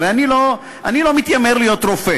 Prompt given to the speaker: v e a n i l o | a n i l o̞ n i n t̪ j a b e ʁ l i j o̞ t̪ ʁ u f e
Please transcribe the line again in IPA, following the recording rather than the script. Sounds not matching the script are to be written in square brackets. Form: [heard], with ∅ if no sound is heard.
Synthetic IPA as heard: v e a n i l o | a n i l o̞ [m] i [∅] t̪ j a [m] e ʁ l i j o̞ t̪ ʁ [o] f e